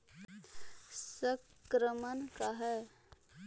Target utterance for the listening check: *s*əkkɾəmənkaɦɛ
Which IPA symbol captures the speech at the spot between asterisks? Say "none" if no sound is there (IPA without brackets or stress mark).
s